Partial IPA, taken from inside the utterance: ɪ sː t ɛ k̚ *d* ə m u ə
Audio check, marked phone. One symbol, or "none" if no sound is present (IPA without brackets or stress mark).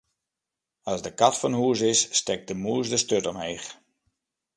d